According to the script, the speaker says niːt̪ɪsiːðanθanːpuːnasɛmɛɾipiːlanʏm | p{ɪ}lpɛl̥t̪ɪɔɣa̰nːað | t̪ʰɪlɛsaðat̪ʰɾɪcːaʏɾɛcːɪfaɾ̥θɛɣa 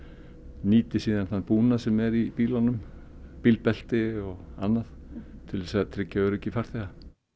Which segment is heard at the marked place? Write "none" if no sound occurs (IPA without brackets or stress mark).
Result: i